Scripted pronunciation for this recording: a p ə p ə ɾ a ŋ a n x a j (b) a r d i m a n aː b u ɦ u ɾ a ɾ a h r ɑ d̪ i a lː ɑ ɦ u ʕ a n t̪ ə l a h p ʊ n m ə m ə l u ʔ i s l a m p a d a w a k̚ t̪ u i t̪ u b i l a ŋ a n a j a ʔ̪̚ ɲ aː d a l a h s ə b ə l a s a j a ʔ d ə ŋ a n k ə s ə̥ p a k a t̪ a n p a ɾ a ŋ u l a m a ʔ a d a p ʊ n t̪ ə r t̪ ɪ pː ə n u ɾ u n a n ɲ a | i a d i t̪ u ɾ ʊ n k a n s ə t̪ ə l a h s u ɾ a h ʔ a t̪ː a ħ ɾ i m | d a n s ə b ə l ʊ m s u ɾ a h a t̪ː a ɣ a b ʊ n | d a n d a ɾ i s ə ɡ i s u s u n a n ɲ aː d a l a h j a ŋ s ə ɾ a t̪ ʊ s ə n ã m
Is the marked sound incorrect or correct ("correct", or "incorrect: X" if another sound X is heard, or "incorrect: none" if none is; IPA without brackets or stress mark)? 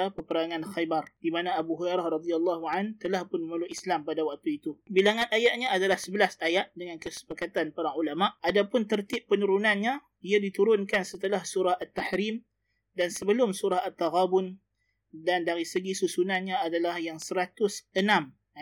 correct